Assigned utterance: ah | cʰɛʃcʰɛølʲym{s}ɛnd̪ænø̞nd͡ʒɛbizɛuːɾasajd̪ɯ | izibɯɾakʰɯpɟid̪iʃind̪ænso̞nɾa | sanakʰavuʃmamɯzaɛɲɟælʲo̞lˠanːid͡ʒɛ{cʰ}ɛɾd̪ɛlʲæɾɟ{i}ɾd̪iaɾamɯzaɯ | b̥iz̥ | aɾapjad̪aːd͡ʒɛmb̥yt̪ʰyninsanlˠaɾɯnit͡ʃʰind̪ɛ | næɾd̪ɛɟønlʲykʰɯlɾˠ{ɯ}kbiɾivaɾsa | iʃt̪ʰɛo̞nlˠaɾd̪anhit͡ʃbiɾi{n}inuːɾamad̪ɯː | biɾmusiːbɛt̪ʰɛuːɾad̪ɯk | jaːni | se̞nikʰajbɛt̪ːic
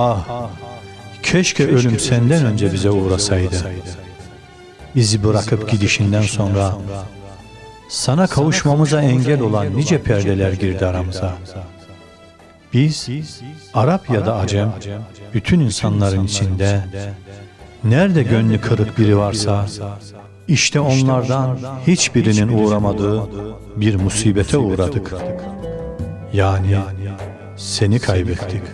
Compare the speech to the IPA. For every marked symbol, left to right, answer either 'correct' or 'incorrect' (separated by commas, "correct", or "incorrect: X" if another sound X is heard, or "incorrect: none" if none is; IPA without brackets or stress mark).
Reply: correct, incorrect: pʰ, correct, correct, correct